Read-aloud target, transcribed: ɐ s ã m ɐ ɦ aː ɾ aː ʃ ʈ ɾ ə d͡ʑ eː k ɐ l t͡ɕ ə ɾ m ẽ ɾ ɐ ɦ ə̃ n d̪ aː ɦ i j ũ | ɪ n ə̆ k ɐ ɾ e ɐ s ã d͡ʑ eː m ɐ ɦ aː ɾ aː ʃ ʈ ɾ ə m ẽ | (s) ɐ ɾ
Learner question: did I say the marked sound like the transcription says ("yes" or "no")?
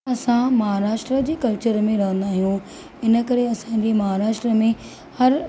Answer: no